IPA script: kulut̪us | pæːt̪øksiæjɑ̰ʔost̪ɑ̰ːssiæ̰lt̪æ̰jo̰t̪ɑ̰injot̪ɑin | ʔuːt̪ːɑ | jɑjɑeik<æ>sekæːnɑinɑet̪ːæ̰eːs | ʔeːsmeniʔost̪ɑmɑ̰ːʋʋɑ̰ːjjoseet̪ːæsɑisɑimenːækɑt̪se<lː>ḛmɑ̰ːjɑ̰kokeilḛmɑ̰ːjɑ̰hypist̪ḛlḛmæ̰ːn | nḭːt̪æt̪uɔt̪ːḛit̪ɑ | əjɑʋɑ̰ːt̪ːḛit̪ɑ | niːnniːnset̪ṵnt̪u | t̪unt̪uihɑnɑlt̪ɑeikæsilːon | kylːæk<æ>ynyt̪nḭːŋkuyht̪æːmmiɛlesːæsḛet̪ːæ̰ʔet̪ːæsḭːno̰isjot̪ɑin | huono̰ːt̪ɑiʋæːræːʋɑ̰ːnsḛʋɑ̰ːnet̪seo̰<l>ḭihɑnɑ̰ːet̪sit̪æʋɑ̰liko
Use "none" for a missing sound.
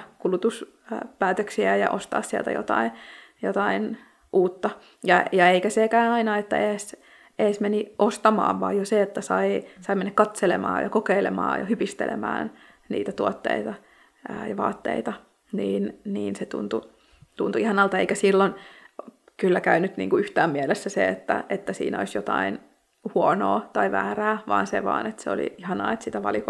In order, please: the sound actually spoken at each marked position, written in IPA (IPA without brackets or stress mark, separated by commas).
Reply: æ, l, æ, l